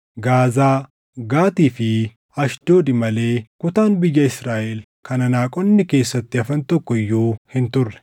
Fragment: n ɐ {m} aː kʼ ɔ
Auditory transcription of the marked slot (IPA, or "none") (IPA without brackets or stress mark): n